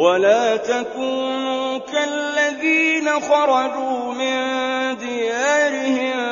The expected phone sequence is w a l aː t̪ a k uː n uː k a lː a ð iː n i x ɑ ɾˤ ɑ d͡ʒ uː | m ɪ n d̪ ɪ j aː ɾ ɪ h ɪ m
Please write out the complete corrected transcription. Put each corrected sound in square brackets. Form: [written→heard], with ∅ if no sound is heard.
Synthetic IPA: w a l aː t̪ a k uː n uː k a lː a ð iː n [i→a] x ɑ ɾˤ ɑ d͡ʒ uː | m ɪ n d̪ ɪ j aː ɾ ɪ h ɪ m